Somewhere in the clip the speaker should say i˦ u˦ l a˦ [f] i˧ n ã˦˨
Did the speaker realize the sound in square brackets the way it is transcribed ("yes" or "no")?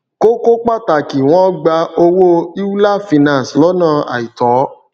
yes